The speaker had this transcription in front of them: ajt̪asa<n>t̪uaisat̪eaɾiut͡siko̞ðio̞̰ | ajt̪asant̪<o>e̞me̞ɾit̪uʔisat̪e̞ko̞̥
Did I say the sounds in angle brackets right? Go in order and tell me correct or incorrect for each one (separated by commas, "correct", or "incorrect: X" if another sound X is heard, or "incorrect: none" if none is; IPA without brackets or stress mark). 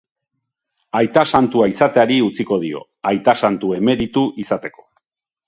correct, incorrect: u